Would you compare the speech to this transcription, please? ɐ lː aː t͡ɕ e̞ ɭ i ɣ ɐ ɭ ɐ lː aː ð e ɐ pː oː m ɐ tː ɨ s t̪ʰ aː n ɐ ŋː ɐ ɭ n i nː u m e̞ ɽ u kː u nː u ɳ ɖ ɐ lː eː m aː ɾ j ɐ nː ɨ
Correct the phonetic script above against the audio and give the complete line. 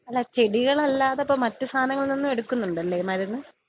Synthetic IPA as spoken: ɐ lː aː t͡ɕ e̞ ɽ i ɣ ɐ ɭ ɐ lː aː ð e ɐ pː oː m ɐ tː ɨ s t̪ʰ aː n ɐ ŋː ɐ ɭ n i nː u m e̞ ɽ u kː u nː u ɳ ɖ ɐ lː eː m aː ɾ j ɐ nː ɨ